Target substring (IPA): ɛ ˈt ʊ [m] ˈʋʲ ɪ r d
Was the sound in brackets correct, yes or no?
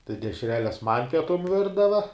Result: yes